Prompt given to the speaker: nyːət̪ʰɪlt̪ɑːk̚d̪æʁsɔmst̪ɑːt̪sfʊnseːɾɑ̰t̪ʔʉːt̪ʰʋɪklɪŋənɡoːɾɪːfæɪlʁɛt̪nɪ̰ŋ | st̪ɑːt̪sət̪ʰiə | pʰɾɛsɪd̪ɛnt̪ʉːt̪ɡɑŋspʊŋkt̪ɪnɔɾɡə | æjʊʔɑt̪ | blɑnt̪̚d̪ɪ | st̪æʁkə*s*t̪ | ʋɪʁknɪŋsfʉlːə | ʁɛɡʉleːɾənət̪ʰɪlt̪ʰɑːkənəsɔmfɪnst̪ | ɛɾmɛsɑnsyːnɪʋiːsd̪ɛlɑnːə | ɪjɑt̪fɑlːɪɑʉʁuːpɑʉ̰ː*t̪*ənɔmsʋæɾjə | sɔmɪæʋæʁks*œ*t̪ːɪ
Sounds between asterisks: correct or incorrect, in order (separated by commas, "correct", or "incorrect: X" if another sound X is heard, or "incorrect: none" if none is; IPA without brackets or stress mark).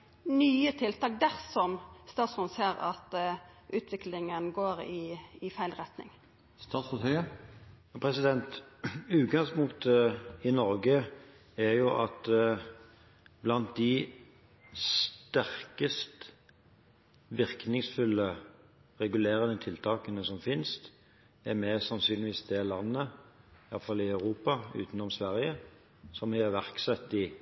correct, correct, incorrect: ɛ